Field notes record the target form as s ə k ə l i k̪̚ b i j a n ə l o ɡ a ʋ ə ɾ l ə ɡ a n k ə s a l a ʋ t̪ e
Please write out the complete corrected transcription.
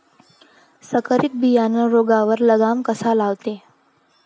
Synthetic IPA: s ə k ə ɾ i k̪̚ b i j a n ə ɾ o ɡ a ʋ ə ɾ l ə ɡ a m k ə s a l a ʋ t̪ e